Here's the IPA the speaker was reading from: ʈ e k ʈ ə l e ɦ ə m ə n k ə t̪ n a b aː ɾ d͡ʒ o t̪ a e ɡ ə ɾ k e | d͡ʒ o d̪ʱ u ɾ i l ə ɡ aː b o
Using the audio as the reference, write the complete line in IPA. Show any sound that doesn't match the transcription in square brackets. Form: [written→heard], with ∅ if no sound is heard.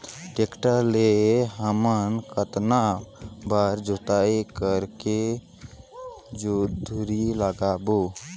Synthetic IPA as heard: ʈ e k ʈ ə l e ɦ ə m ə n k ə t̪ n a b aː ɾ d͡ʒ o t̪ a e [ɡ→k] ə ɾ k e | d͡ʒ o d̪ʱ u ɾ i l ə ɡ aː b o